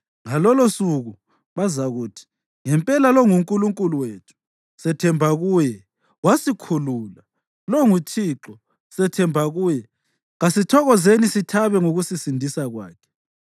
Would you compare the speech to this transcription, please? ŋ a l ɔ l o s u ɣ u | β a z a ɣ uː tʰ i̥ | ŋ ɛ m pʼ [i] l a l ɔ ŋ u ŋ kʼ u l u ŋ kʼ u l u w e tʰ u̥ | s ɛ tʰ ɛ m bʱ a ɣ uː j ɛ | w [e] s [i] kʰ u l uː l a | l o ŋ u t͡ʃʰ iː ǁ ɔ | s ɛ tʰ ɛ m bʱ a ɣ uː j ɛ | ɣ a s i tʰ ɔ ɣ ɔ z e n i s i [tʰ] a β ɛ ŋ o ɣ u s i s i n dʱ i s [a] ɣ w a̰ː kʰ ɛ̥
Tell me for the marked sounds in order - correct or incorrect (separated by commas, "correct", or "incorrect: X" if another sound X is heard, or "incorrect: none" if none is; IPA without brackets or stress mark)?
incorrect: ɛ, incorrect: a, correct, correct, correct